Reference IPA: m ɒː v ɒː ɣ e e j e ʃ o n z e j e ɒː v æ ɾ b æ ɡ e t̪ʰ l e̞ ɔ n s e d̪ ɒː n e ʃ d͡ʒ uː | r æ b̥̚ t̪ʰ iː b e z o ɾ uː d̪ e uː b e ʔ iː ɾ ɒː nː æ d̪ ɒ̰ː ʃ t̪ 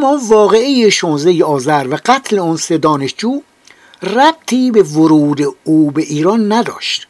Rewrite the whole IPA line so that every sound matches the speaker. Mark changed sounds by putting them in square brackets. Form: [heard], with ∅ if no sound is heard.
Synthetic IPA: m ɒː v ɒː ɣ e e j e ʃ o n z e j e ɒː [z] æ ɾ [v] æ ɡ [æ] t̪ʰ l e̞ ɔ n s e d̪ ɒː n e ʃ d͡ʒ uː | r æ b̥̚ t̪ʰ iː b e [v] o ɾ uː d̪ e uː b e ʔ iː ɾ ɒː nː æ d̪ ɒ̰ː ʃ t̪